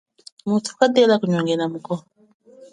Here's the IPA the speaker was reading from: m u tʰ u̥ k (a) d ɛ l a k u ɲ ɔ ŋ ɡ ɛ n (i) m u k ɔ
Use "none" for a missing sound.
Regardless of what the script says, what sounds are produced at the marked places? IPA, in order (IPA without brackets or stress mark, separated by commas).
a, a